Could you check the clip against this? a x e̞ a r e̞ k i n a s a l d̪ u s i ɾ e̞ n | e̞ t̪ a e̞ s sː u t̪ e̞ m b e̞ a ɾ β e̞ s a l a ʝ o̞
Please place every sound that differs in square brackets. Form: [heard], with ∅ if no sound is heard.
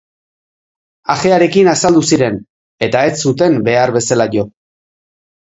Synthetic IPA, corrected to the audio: a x e̞ a [ɾ] e̞ k i n a s a l d̪ u s i ɾ e̞ n | e̞ t̪ a e̞ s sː u t̪ e̞ m b e̞ a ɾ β e̞ s a l a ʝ o̞